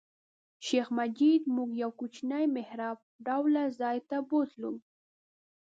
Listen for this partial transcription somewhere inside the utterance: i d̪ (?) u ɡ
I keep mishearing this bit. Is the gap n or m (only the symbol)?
m